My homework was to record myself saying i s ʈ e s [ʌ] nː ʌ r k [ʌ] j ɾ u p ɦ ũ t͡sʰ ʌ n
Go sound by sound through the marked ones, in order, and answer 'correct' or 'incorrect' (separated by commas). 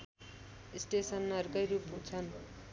correct, correct